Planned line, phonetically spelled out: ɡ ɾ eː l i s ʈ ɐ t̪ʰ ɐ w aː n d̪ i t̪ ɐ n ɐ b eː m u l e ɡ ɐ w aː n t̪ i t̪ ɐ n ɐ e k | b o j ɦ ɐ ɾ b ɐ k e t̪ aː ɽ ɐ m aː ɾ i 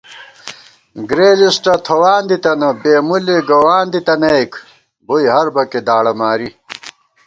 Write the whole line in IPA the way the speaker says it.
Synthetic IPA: ɡ ɾ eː l i s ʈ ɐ t̪ʰ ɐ w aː n d̪ i t̪ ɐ n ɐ b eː m u l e ɡ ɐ w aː n d̪ i t̪ ɐ n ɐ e k | b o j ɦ ɐ ɾ b ɐ k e d̪ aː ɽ ɐ m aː ɾ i